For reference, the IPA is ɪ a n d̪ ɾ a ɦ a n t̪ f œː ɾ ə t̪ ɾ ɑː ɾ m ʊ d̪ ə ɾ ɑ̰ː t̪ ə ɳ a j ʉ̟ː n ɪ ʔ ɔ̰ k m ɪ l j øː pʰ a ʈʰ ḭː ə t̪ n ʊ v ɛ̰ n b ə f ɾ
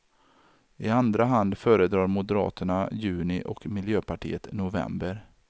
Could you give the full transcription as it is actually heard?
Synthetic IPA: ɪ a n d̪ ɾ a ɦ a n d̪ f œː ɾ ə d̪ ɾ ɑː ɾ m ʊ d̪ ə ɾ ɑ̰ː t̪ ə ɳ a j ʉ̟ː n ɪ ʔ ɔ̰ k m ɪ l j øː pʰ a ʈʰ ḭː ə t̪ n ʊ v ɛ̰ m b ə ɾ